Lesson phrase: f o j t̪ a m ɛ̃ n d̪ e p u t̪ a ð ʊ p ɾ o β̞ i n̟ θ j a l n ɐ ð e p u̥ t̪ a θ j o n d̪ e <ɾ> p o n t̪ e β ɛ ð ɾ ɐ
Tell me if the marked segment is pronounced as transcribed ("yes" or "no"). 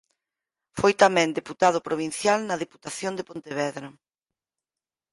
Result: no